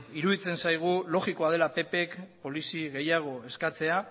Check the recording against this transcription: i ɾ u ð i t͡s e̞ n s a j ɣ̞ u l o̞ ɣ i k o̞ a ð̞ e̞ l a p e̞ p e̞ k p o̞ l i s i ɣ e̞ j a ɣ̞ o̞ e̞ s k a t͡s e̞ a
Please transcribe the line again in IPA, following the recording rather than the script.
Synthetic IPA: i ɾ u ð i t͡s e̞ n s a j ɣ̞ u l o̞ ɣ i k o̞ a ð̞ e̞ l a p e̞ p e̞ k p o̞ l i s i ɣ e̞ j a ɣ̞ o̞ e̞ s k a t͡s e̞ a

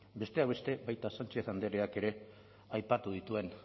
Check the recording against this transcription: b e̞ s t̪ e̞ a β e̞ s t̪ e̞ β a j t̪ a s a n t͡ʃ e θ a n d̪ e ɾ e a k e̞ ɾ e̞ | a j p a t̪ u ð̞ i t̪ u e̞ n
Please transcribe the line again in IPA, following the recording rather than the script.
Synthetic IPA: b e̞ s t̪ e̞ a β e̞ s t̪ e̞ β a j t̪ a s a n t͡ʃ e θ a n d̪ e ɾ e a k e̞ ɾ e̞ | a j p a t̪ u ð̞ i t̪ u e̞ n

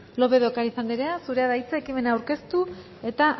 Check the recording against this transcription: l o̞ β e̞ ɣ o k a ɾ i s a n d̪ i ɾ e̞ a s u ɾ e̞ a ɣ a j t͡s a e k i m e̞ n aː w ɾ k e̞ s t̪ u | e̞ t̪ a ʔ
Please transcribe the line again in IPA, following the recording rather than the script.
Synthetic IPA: l o̞ β e̞ ð o k a ɾ i s a n d̪ i ɾ e̞ a s u ɾ e̞ a ð a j t͡s a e k i m e̞ n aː w ɾ k e̞ s t̪ u | e̞ t̪ a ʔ

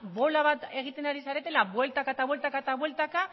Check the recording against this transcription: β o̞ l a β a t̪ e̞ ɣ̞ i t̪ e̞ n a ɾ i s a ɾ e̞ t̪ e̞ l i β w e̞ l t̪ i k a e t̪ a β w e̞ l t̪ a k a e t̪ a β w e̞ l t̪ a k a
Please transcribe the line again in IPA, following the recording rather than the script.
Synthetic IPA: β o̞ l a β a t̪ e̞ ɣ̞ i t̪ e̞ n a ɾ i s a ɾ e̞ t̪ e̞ l a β w e̞ l t̪ a k a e t̪ a β w e̞ l t̪ a k a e t̪ a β w e̞ l t̪ a k a

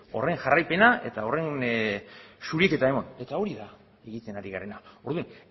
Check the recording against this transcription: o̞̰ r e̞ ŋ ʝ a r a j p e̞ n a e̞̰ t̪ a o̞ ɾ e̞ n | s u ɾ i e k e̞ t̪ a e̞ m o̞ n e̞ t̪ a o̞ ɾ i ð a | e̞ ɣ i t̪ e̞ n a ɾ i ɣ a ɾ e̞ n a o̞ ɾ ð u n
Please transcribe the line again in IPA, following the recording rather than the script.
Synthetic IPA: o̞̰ r e̞ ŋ ʝ a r a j p e̞ n a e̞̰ t̪ a o̞ r e̞ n | s u ɾ i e k e̞ t̪ a e̞ m o̞ n e̞ t̪ a o̞ ɾ i ð a | e̞ ɣ i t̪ e̞ n a ɾ i ɣ a ɾ e̞ n a o̞ ɾ ð u n

